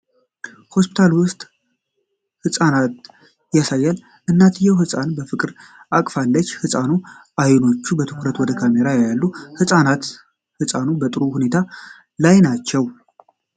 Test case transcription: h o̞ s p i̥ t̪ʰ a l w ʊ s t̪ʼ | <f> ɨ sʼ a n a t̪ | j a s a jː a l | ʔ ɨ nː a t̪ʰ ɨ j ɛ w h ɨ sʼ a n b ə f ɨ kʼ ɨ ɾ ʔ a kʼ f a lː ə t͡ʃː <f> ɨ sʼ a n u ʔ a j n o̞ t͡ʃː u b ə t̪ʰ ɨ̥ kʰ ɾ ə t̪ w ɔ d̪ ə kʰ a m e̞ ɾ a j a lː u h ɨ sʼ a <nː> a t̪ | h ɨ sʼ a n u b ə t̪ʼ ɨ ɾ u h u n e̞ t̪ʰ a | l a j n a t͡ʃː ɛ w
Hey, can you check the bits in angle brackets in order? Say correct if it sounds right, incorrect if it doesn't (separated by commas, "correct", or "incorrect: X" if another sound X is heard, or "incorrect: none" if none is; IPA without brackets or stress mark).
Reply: incorrect: h, incorrect: h, incorrect: n